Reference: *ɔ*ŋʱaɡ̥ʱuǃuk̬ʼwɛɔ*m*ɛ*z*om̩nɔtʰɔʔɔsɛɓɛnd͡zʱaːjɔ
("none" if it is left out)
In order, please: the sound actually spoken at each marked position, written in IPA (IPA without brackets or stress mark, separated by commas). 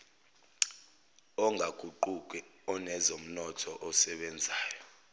ɔ, n, z